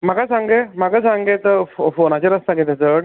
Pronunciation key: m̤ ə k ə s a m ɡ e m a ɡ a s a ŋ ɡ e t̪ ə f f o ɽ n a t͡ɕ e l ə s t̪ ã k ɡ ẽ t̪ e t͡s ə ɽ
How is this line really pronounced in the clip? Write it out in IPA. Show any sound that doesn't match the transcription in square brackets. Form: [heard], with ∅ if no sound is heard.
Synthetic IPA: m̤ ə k [a] s a [ŋ] ɡ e m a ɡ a s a ŋ ɡ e t̪ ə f f o [∅] n a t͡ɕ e [ɾ] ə s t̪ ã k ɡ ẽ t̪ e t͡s ə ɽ

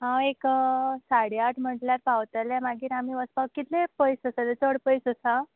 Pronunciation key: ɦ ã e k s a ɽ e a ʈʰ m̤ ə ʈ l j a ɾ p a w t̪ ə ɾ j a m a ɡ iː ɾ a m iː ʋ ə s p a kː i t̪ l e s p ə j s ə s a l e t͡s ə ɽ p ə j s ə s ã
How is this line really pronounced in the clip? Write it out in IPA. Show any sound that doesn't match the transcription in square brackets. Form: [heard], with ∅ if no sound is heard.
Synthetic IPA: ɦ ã e k s a ɽ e a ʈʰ m̤ ə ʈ l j a ɾ p a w t̪ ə [l] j a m a ɡ iː ɾ a m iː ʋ ə s p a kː i t̪ l e [∅] p ə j s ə s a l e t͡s ə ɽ p ə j s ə s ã

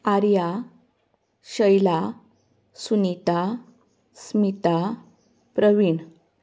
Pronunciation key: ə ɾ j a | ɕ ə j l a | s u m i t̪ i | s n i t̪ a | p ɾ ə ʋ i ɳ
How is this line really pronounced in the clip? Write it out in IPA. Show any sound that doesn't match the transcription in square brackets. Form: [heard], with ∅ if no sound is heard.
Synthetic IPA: [a] ɾ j a | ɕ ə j l a | s u [n] i t̪ [a] | s [m] i t̪ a | p ɾ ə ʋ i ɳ

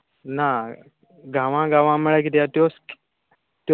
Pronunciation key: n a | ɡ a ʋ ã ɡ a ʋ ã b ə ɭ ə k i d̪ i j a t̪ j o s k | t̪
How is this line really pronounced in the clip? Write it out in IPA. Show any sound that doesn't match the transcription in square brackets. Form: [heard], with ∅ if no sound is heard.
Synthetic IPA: n a | ɡ a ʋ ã ɡ a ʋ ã [m] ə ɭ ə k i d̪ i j a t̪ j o s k | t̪

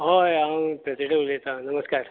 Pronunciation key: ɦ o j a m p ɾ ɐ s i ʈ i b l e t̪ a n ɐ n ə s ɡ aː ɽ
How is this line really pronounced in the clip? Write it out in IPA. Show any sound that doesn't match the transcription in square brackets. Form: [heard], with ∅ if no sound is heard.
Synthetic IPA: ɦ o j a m p ɾ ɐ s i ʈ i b l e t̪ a n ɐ [m] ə s [k] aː [ɾ]

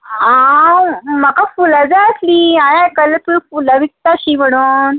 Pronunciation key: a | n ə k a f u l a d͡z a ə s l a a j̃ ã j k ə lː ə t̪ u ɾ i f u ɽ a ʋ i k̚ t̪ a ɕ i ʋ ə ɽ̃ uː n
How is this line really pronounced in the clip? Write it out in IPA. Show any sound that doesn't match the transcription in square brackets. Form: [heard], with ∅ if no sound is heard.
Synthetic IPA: a | [m] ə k a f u l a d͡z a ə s l [i] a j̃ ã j k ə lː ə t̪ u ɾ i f u [l] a ʋ i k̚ t̪ a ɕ i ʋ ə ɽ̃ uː n

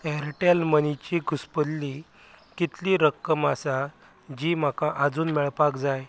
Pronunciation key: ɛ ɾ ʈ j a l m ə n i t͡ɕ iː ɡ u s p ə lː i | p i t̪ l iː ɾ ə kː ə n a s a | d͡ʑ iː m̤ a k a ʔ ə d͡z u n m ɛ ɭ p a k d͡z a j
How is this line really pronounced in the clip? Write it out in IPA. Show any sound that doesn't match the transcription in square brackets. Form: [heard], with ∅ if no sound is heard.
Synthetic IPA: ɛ ɾ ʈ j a l m ə n i t͡ɕ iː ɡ u s p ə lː i | [k] i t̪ l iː ɾ ə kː ə [m] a s a | d͡ʑ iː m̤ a k a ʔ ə d͡z [uː] n m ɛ ɭ p a k d͡z a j

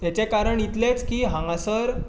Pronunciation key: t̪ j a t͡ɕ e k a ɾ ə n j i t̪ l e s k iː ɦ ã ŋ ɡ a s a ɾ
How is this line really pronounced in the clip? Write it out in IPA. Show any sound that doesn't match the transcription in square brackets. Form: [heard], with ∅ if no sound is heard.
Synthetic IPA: t̪ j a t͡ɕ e k a ɾ ə [ɳ] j i t̪ l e [t͡s] k iː ɦ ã ŋ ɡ a s [ə] ɾ

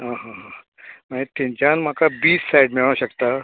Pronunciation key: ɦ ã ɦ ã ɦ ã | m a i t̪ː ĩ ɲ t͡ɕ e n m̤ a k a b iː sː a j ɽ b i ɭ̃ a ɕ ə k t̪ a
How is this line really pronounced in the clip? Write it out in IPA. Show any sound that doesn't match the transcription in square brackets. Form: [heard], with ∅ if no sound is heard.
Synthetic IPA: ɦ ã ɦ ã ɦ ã | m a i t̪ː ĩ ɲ t͡ɕ [a] n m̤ a k a b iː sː a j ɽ [m] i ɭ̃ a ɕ ə k t̪ a

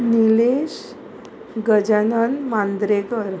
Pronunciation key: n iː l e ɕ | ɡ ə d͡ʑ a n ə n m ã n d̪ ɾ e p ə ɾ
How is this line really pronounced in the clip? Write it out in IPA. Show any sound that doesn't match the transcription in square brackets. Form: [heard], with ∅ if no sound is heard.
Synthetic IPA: n [i] l e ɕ | ɡ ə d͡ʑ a n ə n m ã n d̪ ɾ e [k] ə ɾ

